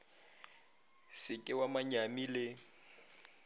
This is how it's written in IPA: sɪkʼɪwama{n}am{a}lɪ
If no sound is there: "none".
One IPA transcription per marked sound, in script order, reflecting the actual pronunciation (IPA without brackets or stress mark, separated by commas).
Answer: ɲ, i